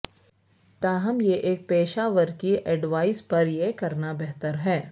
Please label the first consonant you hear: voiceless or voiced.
voiceless